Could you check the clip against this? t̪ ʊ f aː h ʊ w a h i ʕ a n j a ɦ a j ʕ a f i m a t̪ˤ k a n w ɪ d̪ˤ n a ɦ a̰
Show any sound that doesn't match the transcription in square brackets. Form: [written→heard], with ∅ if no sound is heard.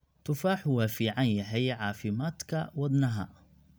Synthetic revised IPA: t̪ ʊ f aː [h→ħ] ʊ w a [h→f] i ʕ a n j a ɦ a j ʕ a f i m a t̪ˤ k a [n→∅] w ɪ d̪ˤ n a ɦ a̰